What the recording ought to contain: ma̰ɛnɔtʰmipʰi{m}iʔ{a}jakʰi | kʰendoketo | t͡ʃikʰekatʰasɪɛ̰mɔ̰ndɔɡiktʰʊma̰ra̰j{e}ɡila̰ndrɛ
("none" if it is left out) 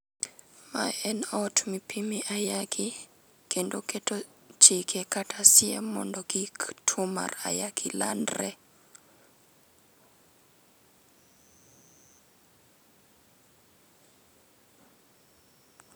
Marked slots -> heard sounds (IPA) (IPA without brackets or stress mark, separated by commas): m, a, a